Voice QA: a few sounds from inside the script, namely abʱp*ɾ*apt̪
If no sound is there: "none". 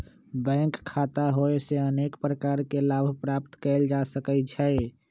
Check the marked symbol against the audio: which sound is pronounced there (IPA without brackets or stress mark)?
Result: ɾ